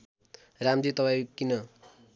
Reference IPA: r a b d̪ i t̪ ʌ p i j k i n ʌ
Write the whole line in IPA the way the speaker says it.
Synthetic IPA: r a m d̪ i t̪ ʌ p a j k i n ʌ